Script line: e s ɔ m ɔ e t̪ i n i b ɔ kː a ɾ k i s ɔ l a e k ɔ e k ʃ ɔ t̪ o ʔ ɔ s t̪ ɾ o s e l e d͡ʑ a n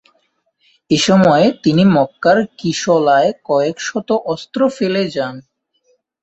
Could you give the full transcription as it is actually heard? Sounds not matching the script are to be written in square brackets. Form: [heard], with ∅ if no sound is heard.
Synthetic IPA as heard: e [ʃ] ɔ m ɔ e t̪ i n i [m] ɔ kː a ɾ k i [ʃ] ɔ l a e k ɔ e k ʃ ɔ t̪ o ʔ ɔ s t̪ ɾ o [f] e l e d͡ʑ a n